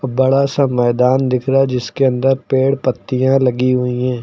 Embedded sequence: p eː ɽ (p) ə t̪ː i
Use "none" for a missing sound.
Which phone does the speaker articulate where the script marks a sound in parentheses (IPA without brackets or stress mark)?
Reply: p